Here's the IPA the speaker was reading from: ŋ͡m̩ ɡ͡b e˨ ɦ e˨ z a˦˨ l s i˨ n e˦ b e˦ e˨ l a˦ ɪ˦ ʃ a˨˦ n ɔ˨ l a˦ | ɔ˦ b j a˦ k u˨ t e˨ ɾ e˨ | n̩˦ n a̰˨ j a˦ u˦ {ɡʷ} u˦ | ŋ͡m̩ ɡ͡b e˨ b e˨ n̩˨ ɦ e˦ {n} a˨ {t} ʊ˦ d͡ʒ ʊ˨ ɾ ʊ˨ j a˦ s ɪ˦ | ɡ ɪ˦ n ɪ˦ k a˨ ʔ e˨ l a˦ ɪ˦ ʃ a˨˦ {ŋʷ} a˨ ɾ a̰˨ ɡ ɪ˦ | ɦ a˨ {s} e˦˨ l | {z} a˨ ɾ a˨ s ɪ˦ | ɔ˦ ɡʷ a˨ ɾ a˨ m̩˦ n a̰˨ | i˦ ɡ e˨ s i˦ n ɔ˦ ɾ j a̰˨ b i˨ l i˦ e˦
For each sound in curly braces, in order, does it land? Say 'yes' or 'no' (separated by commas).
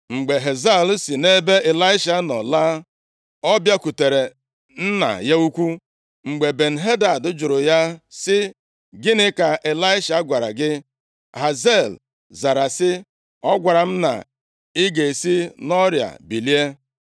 no, no, no, no, no, yes